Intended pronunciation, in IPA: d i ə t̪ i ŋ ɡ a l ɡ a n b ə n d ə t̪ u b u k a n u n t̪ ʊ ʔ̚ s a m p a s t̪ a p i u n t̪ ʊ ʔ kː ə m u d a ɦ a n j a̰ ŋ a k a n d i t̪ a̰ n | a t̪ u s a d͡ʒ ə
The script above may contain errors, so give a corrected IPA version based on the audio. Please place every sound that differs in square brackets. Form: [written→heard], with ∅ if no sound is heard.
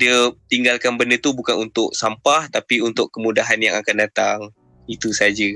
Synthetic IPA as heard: d i ə t̪ i ŋ ɡ a l [ɡ→k] a n b ə n d ə t̪ u b u k a n u n t̪ ʊ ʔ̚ s a m p a [s→h] t̪ a p i u n t̪ ʊ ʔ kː ə m u d a ɦ a n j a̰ ŋ a k a n d [i→a] t̪ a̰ [n→ŋ] | [a→i] t̪ u s a d͡ʒ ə